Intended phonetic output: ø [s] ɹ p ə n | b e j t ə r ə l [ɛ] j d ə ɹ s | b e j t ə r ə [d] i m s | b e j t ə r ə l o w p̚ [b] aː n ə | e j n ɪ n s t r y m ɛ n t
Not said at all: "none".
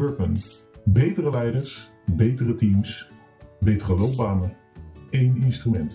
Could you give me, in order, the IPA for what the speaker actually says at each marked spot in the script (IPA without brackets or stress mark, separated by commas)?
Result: none, ɛ, t, b